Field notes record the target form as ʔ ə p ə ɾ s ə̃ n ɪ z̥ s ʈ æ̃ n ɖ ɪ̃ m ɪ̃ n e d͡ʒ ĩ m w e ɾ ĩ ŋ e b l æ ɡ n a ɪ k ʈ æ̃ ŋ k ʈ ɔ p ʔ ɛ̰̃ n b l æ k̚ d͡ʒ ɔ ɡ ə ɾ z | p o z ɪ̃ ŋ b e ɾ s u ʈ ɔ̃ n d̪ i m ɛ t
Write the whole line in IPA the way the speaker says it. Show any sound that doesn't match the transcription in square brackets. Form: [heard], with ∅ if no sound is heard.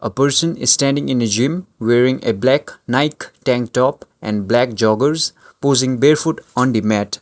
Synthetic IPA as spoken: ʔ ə p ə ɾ s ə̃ n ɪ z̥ s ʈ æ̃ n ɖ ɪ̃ [ŋ] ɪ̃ n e d͡ʒ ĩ m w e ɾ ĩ ŋ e b l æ [k] n a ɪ k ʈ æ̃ ŋ k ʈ ɔ p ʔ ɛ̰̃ n b l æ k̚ d͡ʒ ɔ ɡ ə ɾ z | p o z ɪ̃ ŋ b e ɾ [f] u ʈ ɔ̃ n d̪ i m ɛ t